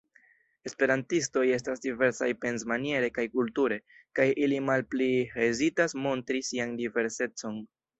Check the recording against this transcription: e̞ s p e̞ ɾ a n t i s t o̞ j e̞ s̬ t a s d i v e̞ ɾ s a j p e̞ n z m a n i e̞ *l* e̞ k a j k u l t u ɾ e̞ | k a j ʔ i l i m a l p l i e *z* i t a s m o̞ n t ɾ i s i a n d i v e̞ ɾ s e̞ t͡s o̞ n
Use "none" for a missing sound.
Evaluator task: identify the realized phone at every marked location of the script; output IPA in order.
ɾ, z

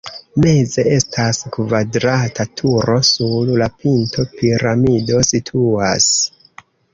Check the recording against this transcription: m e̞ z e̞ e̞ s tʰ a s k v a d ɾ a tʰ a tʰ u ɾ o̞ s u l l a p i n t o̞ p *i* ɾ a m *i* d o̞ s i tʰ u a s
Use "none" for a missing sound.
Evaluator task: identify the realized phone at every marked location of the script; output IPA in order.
i, i

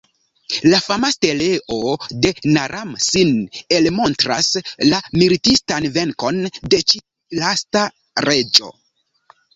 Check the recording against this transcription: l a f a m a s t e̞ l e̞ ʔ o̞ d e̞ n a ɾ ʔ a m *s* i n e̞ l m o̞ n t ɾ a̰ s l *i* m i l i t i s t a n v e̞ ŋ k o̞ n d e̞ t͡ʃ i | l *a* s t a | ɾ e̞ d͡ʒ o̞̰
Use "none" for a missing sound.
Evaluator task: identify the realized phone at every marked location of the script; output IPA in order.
s, a, a

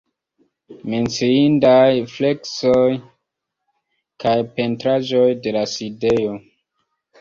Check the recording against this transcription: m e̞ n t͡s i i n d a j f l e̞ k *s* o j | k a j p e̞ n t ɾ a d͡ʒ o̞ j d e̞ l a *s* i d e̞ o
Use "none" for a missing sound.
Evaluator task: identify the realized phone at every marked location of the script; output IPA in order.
s, s

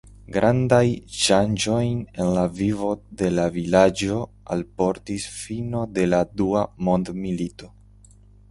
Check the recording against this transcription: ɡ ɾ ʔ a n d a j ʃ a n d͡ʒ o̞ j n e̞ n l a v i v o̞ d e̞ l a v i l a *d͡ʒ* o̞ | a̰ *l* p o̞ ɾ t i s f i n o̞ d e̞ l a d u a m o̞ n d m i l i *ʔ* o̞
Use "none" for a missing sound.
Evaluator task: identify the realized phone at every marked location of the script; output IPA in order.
d͡ʒ, l, t

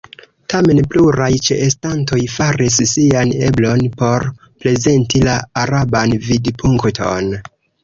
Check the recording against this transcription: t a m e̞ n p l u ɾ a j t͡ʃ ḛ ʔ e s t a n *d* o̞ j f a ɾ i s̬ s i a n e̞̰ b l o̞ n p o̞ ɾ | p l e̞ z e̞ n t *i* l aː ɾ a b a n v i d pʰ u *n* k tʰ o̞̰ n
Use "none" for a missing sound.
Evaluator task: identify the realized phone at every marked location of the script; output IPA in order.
t, i, ŋ

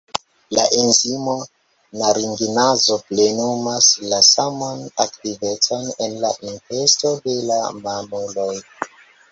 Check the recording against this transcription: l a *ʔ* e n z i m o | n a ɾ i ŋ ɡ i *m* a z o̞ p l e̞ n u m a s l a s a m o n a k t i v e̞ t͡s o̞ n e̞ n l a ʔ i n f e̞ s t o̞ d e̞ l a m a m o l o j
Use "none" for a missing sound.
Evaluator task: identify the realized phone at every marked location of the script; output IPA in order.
ʔ, n

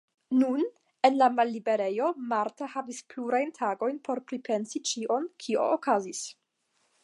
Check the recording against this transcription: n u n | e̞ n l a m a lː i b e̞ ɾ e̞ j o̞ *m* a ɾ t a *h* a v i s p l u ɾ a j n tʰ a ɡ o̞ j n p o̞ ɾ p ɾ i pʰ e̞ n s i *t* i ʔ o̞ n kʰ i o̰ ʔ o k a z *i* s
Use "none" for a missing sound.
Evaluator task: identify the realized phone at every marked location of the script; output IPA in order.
m, h, t͡ʃ, i

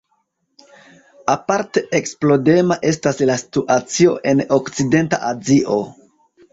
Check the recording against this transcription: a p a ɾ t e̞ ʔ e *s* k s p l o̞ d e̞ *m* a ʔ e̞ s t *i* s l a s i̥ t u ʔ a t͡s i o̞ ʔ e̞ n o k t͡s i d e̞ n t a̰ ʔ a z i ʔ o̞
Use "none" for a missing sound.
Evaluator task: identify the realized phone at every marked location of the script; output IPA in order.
none, m, a

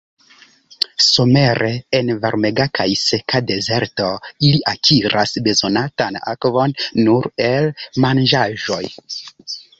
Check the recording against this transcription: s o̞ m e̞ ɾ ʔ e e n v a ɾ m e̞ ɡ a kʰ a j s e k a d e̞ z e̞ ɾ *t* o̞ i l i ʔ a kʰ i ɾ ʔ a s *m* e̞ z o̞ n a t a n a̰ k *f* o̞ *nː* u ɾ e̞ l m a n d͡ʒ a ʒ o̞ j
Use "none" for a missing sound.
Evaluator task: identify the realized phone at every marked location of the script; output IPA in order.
t, b, v, nː

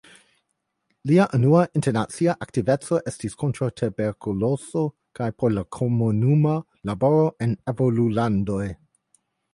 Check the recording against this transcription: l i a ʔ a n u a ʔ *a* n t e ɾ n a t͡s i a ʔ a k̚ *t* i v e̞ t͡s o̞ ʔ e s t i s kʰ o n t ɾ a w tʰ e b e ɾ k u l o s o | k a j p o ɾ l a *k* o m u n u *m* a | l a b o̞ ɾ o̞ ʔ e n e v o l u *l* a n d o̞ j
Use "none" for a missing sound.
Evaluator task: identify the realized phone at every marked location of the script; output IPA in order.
i, t, kʰ, m, l

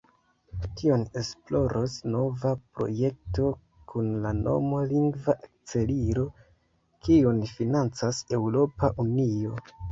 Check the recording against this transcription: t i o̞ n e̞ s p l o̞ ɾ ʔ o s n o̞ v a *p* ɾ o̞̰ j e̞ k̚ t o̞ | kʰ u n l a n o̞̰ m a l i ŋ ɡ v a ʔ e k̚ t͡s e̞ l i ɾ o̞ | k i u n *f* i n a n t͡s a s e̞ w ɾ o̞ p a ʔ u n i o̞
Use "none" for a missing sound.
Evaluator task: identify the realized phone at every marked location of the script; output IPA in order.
p, f

